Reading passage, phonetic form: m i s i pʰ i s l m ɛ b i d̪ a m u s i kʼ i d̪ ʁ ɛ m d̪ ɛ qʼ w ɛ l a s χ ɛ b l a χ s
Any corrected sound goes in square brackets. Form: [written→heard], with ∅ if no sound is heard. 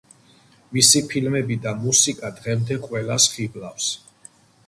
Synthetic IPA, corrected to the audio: m i s i pʰ i [s→∅] l m ɛ b i d̪ a m u s i kʼ [i→a] d̪ ʁ ɛ m d̪ ɛ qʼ w ɛ l a s χ [ɛ→i] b l a [χ→f] s

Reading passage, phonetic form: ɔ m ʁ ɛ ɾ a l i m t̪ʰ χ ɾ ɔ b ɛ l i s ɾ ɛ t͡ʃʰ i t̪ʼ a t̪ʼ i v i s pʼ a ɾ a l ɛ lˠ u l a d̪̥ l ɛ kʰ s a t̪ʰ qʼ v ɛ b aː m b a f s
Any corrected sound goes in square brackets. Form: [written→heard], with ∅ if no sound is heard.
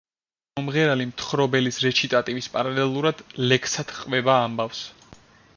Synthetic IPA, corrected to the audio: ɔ m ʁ ɛ ɾ a l i m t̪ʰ χ ɾ ɔ b ɛ l i s ɾ ɛ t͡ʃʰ i t̪ʼ a t̪ʼ i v i s pʼ a ɾ a l ɛ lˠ u [l→ɾ] a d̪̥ l ɛ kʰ s a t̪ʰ qʼ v ɛ b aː m b a f s

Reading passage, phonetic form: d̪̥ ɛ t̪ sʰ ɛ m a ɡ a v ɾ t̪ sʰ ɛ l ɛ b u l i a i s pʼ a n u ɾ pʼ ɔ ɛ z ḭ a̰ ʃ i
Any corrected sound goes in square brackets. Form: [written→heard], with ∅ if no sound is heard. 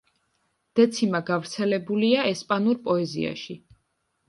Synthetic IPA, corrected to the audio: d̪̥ ɛ t̪ sʰ [ɛ→i] m a ɡ a v ɾ t̪ sʰ ɛ l ɛ b u l i a [i→ɛ] s pʼ a n u ɾ pʼ ɔ ɛ z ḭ a̰ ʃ i

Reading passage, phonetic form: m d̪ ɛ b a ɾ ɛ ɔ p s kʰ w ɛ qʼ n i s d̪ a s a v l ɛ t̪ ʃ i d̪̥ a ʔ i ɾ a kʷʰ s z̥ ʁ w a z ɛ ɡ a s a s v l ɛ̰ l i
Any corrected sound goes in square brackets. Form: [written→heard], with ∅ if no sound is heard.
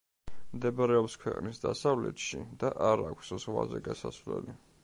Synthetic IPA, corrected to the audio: m d̪ ɛ b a ɾ ɛ ɔ p s kʰ w ɛ qʼ n i s d̪ a s a v l ɛ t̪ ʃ i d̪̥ a ʔ [i→a] ɾ a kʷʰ s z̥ ʁ w a z ɛ ɡ a s a s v l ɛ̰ l i

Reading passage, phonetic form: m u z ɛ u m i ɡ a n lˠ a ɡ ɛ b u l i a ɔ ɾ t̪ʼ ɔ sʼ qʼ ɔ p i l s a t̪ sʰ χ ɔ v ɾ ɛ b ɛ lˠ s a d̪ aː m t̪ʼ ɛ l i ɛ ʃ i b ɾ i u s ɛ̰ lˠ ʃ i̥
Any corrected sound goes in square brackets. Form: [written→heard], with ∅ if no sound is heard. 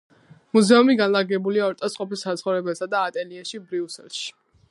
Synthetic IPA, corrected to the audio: m u z ɛ u m i ɡ a n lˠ a ɡ ɛ b u l i a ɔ ɾ t̪ʼ ɔ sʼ qʼ ɔ p i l s a t̪ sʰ χ ɔ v ɾ ɛ b ɛ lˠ s a d̪ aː [m→∅] t̪ʼ ɛ l i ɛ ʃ i b ɾ i u s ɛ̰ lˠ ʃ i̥

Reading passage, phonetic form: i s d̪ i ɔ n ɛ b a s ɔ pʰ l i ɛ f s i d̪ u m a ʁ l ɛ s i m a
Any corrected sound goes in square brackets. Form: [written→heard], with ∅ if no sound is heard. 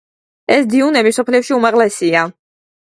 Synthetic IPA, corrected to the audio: [i→ɛ] s d̪ i [ɔ→u] n ɛ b [a→i] s ɔ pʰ l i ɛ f [s→ʃ] i [d̪→∅] u m a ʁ l ɛ s i [m→∅] a

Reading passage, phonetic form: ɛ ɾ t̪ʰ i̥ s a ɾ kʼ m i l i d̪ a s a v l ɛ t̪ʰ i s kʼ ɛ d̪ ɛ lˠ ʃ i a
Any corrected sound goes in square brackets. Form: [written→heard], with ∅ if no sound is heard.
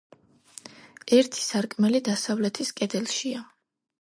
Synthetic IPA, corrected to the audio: ɛ ɾ t̪ʰ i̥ s a ɾ kʼ m [i→ɛ] l i d̪ a s a v l ɛ t̪ʰ i s kʼ ɛ d̪ ɛ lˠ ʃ i a

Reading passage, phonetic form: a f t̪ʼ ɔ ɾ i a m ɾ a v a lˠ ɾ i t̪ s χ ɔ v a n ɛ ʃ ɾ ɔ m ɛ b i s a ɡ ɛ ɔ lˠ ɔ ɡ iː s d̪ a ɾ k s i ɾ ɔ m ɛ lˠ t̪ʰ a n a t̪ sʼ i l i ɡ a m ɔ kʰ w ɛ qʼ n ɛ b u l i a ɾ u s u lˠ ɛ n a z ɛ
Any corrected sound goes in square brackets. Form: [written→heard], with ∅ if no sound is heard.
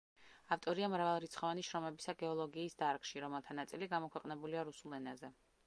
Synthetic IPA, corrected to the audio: a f t̪ʼ ɔ ɾ i a m ɾ a v a lˠ ɾ i t̪ s χ ɔ v a n [ɛ→i] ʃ ɾ ɔ m ɛ b i s a ɡ ɛ ɔ lˠ ɔ ɡ iː s d̪ a ɾ k [s→ʃ] i ɾ ɔ m ɛ lˠ t̪ʰ a n a t̪ sʼ i l i ɡ a m ɔ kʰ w ɛ qʼ n ɛ b u l i a ɾ u s u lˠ ɛ n a z ɛ

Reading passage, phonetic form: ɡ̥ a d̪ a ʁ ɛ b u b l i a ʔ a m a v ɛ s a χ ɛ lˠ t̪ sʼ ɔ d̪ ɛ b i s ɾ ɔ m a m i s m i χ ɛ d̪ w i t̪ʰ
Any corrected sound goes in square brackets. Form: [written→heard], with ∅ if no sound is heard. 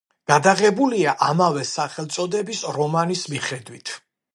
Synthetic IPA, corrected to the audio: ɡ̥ a d̪ a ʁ ɛ b u [b→∅] l i a ʔ a m a v ɛ s a χ ɛ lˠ t̪ sʼ ɔ d̪ ɛ b i s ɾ ɔ m a [m→n] i s m i χ ɛ d̪ w i t̪ʰ

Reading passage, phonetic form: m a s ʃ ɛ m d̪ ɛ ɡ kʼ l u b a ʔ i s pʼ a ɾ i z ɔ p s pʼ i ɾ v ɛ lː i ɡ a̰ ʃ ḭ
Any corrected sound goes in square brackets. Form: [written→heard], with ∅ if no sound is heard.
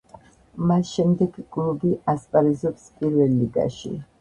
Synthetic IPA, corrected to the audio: m a s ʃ ɛ m d̪ ɛ ɡ kʼ l u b [a→i] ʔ [i→a] s pʼ a ɾ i z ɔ p s pʼ i ɾ v ɛ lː i ɡ a̰ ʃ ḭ

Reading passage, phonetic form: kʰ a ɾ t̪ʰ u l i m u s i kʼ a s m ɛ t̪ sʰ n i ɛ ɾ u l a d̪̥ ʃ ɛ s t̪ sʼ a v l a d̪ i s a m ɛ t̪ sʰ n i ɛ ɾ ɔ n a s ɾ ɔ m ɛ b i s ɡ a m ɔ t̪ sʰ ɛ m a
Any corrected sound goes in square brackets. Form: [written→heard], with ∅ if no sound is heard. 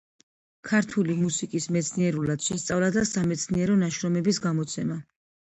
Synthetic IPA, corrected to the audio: kʰ a ɾ t̪ʰ u l i m u s i kʼ [a→i] s m ɛ t̪ sʰ n i ɛ ɾ u l a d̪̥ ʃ ɛ s t̪ sʼ a v l a d̪ [i→a] s a m ɛ t̪ sʰ n i ɛ ɾ ɔ n a [s→ʃ] ɾ ɔ m ɛ b i s ɡ a m ɔ t̪ sʰ ɛ m a

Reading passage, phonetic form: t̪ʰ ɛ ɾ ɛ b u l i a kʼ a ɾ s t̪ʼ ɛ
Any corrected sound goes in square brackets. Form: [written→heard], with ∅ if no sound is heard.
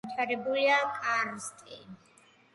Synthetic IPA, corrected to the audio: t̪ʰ [ɛ→a] ɾ ɛ b u l i a kʼ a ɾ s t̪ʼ [ɛ→i]

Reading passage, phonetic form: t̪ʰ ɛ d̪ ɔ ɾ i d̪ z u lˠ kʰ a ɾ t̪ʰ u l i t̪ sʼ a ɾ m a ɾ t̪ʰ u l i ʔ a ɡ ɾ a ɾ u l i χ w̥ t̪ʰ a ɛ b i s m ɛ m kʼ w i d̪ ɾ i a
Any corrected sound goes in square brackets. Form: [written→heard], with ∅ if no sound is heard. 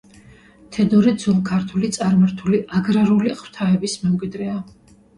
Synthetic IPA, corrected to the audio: t̪ʰ ɛ d̪ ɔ ɾ i d̪ z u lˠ kʰ a ɾ t̪ʰ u l i t̪ sʼ a ɾ m a ɾ t̪ʰ u l i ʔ a ɡ ɾ a ɾ u l i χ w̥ t̪ʰ a ɛ b i s m ɛ m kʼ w i d̪ ɾ [i→ɛ] a

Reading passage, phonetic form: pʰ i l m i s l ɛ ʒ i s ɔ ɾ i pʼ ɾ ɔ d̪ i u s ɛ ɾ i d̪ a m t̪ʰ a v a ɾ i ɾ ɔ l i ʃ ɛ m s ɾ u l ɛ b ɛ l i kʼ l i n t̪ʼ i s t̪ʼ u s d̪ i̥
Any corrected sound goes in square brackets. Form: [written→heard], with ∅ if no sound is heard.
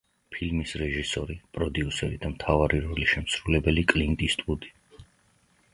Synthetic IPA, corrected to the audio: pʰ i l m i s [l→ɾ] ɛ ʒ i s ɔ ɾ i pʼ ɾ ɔ d̪ i u s ɛ ɾ i d̪ a m t̪ʰ a v a ɾ i ɾ ɔ l i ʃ ɛ m s ɾ u l ɛ b ɛ l i kʼ l i n t̪ʼ i s t̪ʼ u [s→∅] d̪ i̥

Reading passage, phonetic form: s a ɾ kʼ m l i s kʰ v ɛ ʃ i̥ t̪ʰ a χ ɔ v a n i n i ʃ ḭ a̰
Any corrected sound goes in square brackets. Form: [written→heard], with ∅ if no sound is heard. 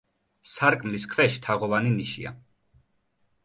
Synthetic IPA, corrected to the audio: s a ɾ kʼ m l i s kʰ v ɛ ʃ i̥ t̪ʰ a [χ→ʁ] ɔ v a n i n i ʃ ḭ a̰

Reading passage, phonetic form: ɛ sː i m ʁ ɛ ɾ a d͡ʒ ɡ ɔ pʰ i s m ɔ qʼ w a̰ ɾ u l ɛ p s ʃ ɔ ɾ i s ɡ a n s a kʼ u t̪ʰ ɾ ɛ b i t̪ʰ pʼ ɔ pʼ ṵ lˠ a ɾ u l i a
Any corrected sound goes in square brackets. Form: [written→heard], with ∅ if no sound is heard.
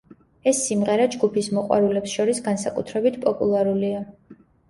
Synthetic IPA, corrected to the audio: ɛ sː i m ʁ ɛ ɾ a d͡ʒ ɡ [ɔ→u] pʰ i s m ɔ qʼ w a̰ ɾ u l ɛ p s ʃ ɔ ɾ i s ɡ a n s a kʼ u t̪ʰ ɾ ɛ b i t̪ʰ pʼ ɔ pʼ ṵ lˠ a ɾ u l i a

